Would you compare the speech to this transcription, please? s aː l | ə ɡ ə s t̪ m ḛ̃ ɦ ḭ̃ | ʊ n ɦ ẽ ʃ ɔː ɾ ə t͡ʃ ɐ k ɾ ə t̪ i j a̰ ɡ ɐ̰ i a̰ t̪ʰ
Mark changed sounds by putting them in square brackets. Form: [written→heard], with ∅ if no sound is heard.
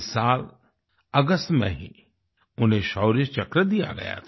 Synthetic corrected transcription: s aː l | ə ɡ ə s t̪ m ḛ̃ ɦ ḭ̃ | ʊ n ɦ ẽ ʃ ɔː ɾ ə t͡ʃ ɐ k ɾ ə [t̪→d̪] i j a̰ ɡ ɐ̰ [i→j] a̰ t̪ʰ